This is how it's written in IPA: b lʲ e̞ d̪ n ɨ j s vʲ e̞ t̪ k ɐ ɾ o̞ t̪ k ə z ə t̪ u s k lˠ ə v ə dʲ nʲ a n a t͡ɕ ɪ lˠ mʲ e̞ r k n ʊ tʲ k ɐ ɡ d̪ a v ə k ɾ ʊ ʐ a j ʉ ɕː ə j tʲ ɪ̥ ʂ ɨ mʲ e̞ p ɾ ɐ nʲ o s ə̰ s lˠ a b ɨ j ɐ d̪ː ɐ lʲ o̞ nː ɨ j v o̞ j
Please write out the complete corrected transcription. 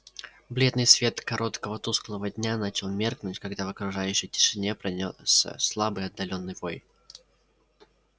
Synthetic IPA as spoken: b lʲ e̞ d̪ n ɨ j s vʲ e̞ t̪ k ɐ ɾ o̞ t̪ k ə v ə t̪ u s k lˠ ə v ə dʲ nʲ a n a t͡ɕ ɪ lˠ mʲ e̞ r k n ʊ tʲ k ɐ ɡ d̪ a v ə k ɾ ʊ ʐ a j ʉ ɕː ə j tʲ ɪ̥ ʂ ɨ nʲ e̞ p ɾ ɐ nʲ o s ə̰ s lˠ a b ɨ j ɐ d̪ː ɐ lʲ o̞ nː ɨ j v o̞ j